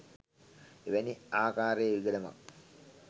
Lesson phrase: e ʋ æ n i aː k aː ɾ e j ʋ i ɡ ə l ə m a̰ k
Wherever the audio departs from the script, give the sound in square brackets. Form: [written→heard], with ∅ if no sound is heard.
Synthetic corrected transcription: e ʋ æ n i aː k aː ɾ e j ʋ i ɡ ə l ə m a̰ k